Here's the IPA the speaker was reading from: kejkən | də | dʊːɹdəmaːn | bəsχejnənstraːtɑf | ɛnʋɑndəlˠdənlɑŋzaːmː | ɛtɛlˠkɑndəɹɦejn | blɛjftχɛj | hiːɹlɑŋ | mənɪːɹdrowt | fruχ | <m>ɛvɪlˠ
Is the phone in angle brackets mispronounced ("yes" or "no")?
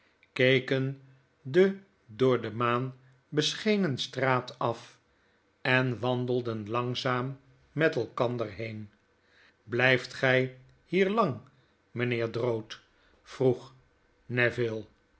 yes